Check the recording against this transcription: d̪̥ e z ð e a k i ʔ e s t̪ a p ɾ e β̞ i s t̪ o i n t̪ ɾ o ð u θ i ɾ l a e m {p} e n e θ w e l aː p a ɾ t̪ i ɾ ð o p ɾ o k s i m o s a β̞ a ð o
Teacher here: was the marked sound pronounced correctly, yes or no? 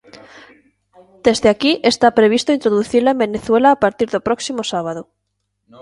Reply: no